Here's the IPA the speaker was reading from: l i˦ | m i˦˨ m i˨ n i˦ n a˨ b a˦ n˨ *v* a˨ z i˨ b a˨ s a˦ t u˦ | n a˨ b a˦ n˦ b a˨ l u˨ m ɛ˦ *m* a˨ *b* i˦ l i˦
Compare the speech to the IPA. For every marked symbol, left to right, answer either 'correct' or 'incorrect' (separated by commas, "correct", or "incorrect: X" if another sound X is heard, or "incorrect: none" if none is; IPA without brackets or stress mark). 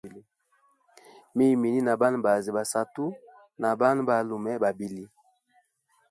incorrect: b, incorrect: b, correct